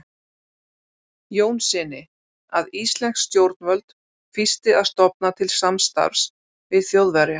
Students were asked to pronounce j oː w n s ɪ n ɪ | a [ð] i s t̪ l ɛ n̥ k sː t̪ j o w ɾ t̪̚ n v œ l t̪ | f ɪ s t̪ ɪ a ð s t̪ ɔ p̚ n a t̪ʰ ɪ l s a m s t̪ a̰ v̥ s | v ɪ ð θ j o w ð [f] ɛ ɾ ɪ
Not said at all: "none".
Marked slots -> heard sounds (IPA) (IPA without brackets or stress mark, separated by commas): ð, v